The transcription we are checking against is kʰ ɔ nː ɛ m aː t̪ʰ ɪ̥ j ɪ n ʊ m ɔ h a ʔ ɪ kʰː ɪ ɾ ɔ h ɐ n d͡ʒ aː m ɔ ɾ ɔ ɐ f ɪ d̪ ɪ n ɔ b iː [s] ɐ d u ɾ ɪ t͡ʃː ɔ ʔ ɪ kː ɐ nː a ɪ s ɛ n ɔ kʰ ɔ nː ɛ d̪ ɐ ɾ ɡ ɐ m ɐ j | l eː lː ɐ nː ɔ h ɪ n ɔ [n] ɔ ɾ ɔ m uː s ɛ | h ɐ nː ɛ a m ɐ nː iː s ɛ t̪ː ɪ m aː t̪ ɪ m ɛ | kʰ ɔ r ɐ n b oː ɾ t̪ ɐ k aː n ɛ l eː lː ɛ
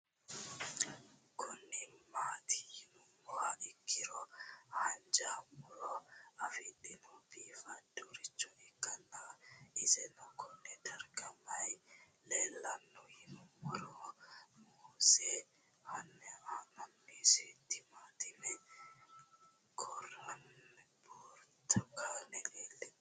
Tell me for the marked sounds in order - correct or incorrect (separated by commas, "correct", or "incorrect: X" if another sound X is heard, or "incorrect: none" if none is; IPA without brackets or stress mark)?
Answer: incorrect: f, incorrect: m